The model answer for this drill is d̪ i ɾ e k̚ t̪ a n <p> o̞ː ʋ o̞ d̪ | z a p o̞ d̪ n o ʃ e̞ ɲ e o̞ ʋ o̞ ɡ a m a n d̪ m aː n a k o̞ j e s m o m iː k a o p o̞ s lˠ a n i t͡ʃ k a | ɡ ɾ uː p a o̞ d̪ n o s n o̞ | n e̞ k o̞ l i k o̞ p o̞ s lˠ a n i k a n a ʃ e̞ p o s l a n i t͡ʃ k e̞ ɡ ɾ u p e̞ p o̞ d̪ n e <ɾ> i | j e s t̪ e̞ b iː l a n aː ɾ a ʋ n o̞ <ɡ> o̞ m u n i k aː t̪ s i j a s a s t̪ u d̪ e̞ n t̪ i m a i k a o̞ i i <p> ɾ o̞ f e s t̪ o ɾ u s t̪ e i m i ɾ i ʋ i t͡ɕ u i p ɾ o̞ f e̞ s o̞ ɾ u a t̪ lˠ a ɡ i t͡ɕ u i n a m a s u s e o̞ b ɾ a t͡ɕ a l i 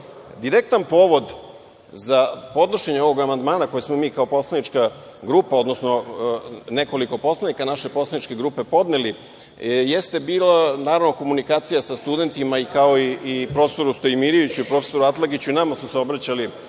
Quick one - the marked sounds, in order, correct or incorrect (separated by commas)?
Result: correct, incorrect, incorrect, correct